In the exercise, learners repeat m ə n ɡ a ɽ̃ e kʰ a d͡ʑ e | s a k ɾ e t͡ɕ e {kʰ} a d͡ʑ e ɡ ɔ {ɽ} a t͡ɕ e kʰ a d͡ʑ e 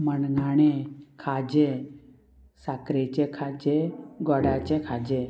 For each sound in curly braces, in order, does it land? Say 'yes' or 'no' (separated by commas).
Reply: yes, yes